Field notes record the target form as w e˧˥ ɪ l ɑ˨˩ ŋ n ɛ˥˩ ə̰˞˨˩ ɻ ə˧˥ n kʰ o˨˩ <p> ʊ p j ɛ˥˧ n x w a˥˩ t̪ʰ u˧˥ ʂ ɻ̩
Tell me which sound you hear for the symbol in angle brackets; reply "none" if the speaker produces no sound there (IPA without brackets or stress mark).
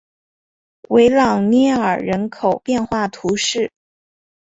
none